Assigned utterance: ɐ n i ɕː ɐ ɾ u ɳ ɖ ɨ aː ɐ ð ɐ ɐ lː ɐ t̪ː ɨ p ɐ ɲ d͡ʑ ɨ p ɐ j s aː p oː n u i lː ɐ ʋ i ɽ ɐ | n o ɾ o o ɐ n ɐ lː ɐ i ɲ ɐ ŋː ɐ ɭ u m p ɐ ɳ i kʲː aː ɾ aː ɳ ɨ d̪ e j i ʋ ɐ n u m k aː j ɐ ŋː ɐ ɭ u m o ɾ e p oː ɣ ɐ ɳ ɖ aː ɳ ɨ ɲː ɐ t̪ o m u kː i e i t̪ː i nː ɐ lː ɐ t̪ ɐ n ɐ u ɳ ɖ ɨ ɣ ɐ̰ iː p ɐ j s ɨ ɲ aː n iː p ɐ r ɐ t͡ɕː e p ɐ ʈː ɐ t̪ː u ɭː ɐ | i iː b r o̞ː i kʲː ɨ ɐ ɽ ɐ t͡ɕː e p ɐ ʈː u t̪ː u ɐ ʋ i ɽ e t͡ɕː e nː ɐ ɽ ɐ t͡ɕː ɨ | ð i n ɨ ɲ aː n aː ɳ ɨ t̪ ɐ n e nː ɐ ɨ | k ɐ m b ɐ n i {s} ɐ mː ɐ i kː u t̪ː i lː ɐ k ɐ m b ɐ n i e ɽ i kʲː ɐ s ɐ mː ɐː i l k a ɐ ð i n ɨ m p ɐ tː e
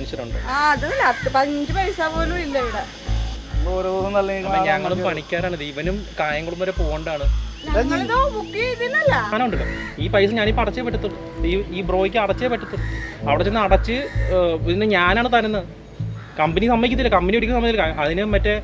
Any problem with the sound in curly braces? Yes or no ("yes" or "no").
no